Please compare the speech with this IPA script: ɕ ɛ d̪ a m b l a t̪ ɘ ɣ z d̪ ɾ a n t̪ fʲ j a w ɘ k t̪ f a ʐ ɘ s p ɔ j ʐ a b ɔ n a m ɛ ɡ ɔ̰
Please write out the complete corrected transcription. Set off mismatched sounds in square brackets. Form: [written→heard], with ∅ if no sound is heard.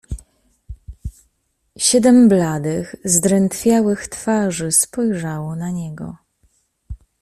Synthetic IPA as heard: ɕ ɛ d̪ [a→ɛ] m b l a [t̪→d̪] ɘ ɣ z d̪ ɾ [a→ɛ] n t̪ fʲ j a w ɘ [k→x] t̪ f a ʐ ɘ s p ɔ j ʐ a [b→w] ɔ n a [m→ɲ] ɛ ɡ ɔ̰